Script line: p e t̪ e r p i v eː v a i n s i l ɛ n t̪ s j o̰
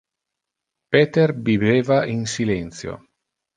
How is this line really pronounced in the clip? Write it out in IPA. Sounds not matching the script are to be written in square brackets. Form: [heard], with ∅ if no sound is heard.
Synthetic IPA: p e t̪ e r [b] i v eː v a i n s i l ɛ n t̪ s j o̰